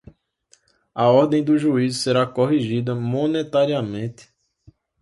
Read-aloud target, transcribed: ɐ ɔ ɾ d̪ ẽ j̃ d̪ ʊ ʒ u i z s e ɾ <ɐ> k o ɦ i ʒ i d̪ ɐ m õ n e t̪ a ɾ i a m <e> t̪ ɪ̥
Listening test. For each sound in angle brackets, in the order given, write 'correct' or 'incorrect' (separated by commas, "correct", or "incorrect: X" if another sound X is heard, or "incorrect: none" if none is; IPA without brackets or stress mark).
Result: incorrect: a, incorrect: ẽ